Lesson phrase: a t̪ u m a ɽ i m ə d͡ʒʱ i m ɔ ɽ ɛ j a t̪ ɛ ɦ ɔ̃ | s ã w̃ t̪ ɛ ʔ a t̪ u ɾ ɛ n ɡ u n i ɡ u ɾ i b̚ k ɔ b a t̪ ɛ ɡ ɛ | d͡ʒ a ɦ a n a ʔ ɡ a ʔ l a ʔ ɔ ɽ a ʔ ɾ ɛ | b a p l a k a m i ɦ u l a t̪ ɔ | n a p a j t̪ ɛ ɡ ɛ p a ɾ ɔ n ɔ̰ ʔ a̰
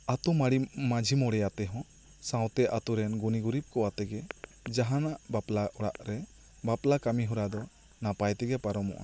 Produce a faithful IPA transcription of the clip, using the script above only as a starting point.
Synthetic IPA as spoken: a t̪ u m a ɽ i m a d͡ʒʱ i m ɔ ɽ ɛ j a t̪ ɛ ɦ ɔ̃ | s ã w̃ t̪ ɛ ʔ a t̪ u ɾ ɛ n ɡ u n i ɡ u ɾ i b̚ k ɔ w a t̪ ɛ ɡ ɛ | d͡ʒ a ɦ a n a ʔ b a p l a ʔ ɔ ɽ a ʔ ɾ ɛ | b a p l a k a m i ɦ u ɾ a d̪ ɔ | n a p a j t̪ ɛ ɡ ɛ p a ɾ ɔ m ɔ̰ ʔ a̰